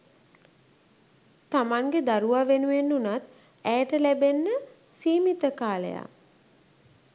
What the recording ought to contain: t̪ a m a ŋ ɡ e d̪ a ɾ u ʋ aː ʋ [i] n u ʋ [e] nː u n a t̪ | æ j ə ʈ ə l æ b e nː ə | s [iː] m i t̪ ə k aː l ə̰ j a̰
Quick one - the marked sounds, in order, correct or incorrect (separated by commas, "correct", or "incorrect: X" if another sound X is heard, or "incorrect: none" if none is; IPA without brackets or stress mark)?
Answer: incorrect: e, correct, correct